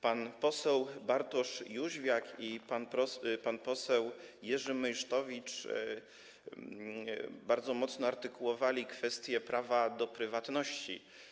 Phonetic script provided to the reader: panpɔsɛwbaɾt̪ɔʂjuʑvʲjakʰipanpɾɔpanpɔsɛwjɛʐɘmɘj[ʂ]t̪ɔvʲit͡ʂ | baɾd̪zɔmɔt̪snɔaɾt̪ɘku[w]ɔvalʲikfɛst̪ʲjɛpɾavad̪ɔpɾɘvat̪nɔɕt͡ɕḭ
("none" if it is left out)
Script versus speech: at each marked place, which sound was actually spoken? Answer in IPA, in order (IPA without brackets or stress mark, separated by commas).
ʂ, w